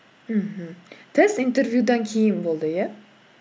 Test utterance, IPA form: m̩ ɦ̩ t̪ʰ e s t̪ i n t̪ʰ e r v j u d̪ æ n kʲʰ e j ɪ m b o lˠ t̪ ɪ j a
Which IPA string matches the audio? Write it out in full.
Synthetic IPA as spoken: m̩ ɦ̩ t̪ʰ e s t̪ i n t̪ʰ e ɾ v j u d̪ a n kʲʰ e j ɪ n b o lˠ d̪ ɪ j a